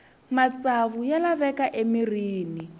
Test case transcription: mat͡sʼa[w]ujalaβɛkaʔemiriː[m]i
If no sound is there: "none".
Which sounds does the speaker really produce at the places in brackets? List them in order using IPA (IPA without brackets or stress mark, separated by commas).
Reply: β, n